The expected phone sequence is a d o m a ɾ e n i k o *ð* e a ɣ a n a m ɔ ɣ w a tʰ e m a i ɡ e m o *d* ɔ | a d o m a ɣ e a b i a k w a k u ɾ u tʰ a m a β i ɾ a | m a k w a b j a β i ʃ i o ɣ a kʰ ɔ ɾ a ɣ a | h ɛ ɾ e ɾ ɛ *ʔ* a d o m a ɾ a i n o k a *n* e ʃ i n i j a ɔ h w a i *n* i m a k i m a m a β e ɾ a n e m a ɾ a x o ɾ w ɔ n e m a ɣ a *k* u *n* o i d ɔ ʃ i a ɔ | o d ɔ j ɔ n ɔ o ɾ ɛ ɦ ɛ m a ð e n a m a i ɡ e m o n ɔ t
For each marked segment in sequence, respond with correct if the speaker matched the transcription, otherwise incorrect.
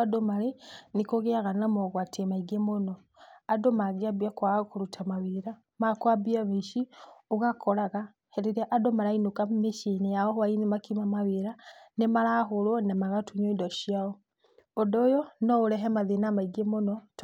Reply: incorrect: ɣ, incorrect: n, correct, incorrect: m, correct, incorrect: t, incorrect: ɲ

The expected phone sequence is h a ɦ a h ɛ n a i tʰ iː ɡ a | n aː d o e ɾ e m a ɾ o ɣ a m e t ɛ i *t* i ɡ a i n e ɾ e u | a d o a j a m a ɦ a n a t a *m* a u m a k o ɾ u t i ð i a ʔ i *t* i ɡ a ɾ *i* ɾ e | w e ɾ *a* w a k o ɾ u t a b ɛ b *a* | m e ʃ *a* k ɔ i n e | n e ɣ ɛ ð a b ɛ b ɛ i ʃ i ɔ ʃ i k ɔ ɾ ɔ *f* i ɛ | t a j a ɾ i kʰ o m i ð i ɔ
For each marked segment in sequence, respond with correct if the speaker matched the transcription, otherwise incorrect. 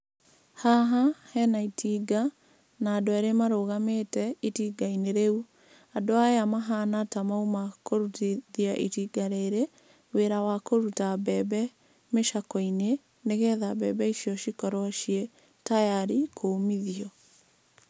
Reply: correct, correct, correct, incorrect: e, correct, incorrect: ɛ, correct, incorrect: ʃ

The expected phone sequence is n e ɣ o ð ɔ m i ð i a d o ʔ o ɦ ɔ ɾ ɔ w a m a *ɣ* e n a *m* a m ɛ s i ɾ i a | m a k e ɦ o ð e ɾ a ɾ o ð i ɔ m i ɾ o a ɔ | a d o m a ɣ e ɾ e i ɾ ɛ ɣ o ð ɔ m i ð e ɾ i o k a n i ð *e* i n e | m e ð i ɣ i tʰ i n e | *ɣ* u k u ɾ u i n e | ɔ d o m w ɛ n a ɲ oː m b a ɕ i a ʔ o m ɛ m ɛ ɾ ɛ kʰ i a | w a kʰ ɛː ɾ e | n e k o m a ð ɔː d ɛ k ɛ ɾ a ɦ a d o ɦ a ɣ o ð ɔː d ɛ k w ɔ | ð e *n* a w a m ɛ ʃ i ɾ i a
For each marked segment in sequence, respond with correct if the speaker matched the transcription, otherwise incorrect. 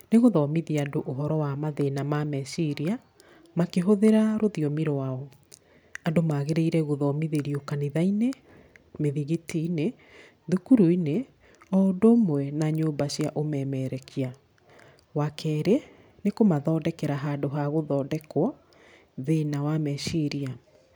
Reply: incorrect: ð, correct, incorrect: a, incorrect: ð, correct

